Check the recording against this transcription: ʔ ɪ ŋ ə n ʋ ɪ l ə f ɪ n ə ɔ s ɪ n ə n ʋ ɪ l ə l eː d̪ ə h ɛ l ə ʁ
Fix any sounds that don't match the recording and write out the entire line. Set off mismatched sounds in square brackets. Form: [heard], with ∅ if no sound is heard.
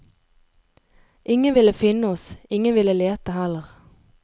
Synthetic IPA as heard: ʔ ɪ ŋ ə n ʋ ɪ l ə f ɪ n ə ɔ s ɪ [ŋ] ə n ʋ ɪ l ə l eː [t̪] ə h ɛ l ə ʁ